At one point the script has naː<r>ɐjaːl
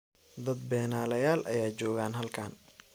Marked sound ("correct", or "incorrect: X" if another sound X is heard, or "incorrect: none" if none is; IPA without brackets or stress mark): incorrect: l